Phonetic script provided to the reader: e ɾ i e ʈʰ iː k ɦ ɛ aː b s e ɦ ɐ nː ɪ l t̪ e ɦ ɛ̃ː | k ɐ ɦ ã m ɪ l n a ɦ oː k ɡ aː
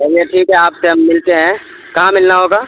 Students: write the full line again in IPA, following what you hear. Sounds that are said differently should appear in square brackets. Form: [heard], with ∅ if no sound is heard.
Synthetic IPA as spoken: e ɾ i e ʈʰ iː k ɦ ɛ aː [p] s e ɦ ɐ [mː] ɪ l t̪ e ɦ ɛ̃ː | k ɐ ɦ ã m ɪ l n a ɦ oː [∅] ɡ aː